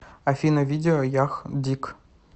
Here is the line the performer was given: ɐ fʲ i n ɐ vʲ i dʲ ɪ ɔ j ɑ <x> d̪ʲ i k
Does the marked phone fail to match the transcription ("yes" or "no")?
no